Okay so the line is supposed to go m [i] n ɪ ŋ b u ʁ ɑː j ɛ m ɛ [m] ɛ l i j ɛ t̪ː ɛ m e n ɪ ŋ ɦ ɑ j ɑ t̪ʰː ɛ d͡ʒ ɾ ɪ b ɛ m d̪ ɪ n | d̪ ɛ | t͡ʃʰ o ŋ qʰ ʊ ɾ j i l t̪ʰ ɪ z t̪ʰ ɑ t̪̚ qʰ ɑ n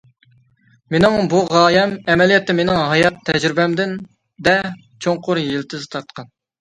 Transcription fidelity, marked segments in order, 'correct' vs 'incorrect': incorrect, correct

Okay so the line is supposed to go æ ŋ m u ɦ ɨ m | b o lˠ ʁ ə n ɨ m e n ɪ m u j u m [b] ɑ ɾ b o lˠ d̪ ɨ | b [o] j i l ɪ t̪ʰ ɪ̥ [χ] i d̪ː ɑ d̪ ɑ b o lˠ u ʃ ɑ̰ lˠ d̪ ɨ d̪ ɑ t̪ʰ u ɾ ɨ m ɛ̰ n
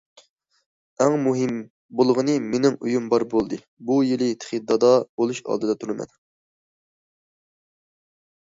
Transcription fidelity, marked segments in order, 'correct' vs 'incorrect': correct, incorrect, correct

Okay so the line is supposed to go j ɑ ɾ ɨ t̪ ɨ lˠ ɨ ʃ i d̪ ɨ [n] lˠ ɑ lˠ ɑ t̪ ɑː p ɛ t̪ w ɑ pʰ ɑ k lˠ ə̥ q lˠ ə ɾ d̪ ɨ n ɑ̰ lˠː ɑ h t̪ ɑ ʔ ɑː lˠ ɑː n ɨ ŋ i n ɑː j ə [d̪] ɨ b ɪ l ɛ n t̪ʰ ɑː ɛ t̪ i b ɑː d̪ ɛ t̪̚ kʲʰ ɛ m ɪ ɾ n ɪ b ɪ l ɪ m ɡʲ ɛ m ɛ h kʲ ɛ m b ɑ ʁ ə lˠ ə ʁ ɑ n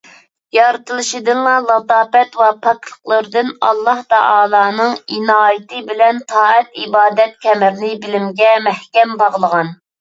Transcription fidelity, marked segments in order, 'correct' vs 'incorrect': correct, incorrect

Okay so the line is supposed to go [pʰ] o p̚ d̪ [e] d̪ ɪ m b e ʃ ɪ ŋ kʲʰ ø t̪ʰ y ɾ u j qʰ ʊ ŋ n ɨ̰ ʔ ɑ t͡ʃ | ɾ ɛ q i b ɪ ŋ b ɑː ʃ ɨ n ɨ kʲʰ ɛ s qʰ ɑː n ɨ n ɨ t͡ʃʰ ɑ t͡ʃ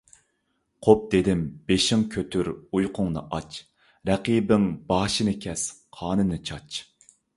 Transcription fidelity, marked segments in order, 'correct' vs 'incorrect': incorrect, correct

